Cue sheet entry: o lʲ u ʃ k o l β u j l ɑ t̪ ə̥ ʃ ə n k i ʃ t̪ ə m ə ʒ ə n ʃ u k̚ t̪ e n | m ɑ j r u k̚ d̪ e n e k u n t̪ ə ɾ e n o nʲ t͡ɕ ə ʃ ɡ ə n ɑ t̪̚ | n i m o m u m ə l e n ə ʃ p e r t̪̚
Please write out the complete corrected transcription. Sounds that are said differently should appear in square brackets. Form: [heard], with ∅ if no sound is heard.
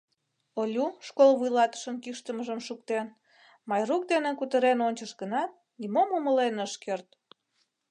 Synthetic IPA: o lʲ u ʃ k o l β u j l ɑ t̪ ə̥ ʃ ə n k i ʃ t̪ ə m ə ʒ ə [m] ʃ u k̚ t̪ e n | m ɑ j r u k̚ d̪ e n e k u [∅] t̪ ə ɾ e n o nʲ t͡ɕ ə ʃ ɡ ə n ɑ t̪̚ | n i m o m u m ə l e n ə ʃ [k] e r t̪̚